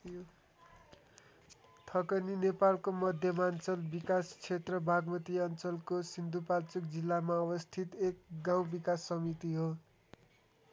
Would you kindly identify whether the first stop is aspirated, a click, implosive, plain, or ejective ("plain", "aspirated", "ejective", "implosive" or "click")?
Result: aspirated